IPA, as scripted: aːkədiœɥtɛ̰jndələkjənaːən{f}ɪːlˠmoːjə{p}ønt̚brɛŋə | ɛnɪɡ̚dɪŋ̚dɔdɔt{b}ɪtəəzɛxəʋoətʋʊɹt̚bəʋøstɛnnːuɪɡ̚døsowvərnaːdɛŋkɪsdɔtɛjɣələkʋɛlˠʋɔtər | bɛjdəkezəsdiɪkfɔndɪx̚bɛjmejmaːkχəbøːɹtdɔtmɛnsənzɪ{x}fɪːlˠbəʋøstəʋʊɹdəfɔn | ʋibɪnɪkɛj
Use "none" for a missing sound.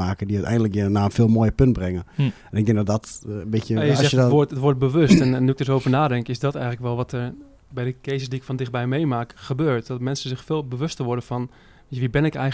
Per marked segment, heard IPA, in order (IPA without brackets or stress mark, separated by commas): f, p, b, x